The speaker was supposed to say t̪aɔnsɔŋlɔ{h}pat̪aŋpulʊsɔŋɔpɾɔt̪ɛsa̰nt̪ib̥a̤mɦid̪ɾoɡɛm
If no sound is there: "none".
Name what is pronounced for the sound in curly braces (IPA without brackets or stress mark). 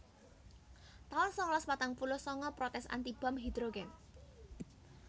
s